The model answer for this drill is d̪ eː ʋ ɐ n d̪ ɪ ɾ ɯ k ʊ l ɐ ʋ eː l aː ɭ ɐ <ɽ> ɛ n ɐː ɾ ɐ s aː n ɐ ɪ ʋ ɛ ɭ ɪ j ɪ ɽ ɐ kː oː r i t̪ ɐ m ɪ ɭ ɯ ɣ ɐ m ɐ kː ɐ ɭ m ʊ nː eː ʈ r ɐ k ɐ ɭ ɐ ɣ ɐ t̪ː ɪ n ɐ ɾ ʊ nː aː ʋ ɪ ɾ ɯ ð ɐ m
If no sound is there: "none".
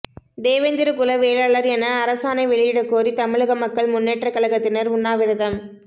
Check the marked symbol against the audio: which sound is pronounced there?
ɾ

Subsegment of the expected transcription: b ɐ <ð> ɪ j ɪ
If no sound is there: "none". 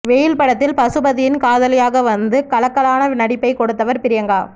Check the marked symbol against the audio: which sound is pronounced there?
ð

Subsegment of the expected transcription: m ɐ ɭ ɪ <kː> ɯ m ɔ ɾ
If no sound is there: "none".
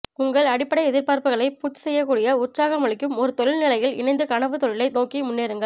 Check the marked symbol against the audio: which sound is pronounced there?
kː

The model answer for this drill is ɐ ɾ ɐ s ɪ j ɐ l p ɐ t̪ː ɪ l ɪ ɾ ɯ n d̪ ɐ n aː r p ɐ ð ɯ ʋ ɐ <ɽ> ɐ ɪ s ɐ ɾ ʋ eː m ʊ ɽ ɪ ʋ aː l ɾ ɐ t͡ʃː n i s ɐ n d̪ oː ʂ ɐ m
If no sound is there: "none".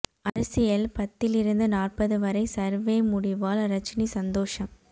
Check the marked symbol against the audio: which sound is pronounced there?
ɾ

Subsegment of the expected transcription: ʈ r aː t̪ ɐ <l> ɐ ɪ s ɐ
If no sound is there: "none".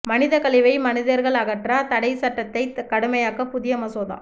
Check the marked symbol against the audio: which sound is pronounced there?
ɽ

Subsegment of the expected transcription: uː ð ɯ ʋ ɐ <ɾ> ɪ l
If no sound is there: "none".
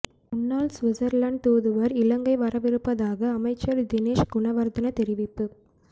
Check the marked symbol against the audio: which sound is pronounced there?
ɾ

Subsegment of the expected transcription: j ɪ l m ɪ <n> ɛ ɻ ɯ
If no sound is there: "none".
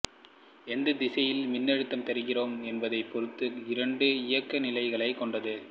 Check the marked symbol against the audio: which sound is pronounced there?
nː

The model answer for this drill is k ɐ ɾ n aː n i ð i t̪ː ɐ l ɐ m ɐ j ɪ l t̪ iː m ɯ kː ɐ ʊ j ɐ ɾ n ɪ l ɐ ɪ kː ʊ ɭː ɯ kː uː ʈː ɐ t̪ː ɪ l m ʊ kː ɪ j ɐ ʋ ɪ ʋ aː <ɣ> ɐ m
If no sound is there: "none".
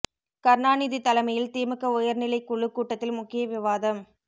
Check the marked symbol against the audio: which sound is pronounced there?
ð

